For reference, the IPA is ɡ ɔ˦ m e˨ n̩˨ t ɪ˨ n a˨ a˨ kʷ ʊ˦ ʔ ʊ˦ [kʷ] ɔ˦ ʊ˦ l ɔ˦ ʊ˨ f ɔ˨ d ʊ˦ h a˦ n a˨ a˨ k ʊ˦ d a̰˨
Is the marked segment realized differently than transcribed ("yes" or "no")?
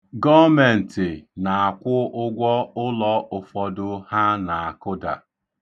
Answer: yes